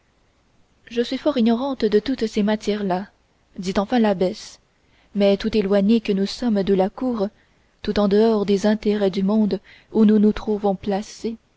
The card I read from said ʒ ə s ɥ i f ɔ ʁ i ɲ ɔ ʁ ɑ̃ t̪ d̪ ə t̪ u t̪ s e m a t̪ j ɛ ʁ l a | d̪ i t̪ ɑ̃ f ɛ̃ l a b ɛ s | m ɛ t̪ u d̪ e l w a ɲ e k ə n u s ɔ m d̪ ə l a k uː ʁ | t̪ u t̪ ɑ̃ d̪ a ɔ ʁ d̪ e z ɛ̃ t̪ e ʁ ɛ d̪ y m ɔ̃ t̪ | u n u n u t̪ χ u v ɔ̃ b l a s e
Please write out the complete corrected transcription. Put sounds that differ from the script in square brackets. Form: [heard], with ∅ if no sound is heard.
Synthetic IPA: ʒ ə s ɥ i f ɔ ʁ i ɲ ɔ ʁ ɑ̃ t̪ d̪ ə t̪ u t̪ s e m a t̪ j ɛ ʁ l a | d̪ i t̪ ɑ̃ f ɛ̃ l a b ɛ s | m ɛ t̪ u [t̪] e l w a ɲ e k ə n u s ɔ m d̪ ə l a k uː ʁ | t̪ u t̪ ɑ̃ d̪ [ə] ɔ ʁ d̪ e z ɛ̃ t̪ e ʁ ɛ d̪ y m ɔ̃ [d̪] | u n u n u t̪ χ u v ɔ̃ [p] l a s e